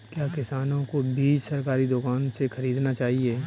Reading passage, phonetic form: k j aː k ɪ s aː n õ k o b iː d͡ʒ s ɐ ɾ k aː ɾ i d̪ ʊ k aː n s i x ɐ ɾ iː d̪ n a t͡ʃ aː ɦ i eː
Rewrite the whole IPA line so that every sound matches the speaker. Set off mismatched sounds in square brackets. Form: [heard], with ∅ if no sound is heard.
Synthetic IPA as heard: k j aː k ɪ s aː n õ k o b iː d͡ʒ s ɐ ɾ k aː ɾ i d̪ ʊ k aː n s [e] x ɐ ɾ iː d̪ n a t͡ʃ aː ɦ i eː